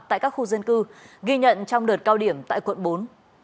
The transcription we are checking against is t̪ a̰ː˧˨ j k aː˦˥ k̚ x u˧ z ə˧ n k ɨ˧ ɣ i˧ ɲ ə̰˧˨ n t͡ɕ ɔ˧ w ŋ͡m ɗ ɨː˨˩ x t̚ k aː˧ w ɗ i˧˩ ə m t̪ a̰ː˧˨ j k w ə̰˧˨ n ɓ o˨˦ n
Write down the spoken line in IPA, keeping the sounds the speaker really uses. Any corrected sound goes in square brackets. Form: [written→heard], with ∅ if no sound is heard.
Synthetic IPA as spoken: t̪ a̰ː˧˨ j k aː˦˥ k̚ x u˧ z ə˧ n k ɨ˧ ɣ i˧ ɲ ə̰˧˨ n t͡ɕ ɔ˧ w ŋ͡m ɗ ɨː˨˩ [x→∅] t̚ k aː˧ w ɗ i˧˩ ə m t̪ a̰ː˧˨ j k w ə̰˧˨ n ɓ o˨˦ n